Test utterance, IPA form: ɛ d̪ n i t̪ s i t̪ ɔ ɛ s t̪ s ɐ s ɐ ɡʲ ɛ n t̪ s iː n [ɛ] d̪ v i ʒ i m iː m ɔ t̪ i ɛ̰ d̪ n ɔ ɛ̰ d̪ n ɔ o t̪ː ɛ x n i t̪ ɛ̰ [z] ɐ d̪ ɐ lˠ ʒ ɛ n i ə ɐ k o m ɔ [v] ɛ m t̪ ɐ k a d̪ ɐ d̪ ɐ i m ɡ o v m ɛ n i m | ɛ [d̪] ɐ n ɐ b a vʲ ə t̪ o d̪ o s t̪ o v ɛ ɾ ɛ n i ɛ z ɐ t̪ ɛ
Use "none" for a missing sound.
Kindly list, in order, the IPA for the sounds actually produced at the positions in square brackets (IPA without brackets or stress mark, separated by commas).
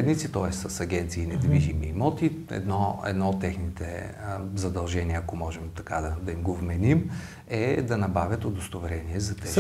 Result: ɛ, z, ʒ, d̪